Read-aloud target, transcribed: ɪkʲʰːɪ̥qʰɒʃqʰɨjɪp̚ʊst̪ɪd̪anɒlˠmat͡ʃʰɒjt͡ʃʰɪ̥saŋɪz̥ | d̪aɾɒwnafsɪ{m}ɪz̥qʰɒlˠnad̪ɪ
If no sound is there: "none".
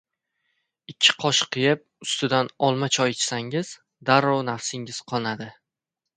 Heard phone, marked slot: ŋ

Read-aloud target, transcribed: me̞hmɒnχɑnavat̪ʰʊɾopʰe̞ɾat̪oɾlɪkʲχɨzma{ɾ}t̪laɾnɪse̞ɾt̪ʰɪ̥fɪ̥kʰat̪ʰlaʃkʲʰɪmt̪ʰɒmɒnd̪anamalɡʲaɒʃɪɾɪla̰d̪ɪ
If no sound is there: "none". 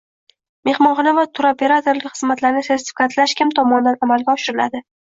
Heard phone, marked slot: none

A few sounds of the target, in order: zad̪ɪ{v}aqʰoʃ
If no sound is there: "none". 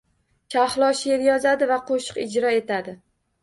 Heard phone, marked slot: v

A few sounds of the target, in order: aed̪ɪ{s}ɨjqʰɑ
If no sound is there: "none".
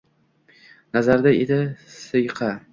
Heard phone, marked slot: s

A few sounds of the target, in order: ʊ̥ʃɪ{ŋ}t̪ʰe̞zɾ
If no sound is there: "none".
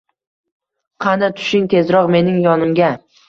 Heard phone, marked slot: ŋ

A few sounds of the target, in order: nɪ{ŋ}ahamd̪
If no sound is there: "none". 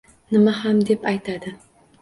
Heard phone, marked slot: m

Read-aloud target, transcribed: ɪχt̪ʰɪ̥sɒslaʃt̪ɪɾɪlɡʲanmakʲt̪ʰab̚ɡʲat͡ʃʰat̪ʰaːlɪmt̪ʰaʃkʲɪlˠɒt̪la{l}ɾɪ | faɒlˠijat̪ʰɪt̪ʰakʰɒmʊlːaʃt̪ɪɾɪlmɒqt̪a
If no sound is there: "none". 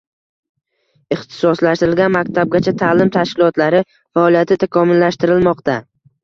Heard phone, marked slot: none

